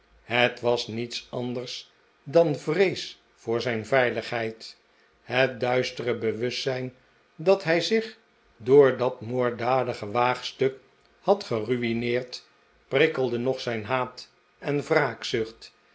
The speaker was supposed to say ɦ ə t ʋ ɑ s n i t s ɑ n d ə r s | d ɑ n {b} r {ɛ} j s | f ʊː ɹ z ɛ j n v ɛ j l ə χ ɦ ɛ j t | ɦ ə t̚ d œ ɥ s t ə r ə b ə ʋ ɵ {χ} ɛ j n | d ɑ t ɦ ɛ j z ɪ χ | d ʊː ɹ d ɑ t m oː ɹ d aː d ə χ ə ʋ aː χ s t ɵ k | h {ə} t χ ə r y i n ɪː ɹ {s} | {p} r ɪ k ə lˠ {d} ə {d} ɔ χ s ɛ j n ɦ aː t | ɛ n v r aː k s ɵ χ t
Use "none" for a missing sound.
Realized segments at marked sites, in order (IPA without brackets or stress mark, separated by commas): v, e, s, ɑ, t, p, d, n